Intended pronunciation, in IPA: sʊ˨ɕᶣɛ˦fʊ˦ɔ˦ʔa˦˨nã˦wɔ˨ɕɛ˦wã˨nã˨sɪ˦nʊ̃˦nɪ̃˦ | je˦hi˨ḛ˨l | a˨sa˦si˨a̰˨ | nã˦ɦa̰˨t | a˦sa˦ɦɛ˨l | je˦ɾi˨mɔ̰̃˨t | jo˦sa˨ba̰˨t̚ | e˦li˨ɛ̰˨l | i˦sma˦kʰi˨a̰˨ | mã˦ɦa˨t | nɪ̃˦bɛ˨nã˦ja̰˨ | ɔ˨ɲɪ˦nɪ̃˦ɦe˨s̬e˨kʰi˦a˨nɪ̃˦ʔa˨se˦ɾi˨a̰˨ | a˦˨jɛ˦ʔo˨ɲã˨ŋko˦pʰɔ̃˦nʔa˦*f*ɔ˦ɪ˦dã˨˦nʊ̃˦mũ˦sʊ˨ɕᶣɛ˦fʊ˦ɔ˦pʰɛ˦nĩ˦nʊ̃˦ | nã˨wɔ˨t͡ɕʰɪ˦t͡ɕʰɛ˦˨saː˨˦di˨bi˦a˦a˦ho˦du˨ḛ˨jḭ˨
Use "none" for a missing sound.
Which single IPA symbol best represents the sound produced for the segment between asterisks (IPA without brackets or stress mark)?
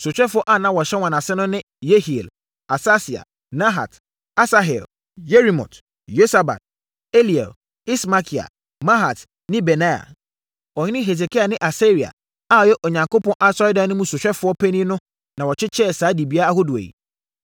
s